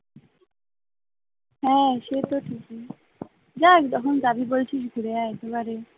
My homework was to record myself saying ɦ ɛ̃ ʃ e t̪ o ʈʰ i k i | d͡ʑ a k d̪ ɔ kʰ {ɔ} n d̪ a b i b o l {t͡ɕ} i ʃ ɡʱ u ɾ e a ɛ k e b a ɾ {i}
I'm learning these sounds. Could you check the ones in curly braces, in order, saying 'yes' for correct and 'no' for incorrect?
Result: no, no, no

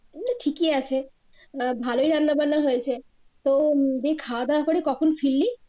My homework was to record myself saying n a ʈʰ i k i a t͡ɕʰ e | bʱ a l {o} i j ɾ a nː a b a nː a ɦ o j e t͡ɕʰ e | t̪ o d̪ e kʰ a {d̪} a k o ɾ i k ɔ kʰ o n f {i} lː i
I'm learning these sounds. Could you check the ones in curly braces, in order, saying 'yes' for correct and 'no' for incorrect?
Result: yes, yes, yes

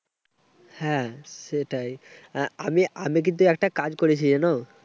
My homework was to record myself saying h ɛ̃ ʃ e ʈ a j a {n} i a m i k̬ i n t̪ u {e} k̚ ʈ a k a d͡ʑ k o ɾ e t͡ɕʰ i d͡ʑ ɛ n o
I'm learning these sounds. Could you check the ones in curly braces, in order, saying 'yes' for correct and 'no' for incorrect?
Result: no, no

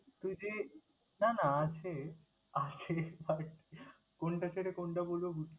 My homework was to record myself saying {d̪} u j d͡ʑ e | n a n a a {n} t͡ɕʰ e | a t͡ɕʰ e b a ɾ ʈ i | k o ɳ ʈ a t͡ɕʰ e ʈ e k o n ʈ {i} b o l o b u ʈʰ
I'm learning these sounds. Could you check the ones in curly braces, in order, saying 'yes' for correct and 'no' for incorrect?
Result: no, no, no

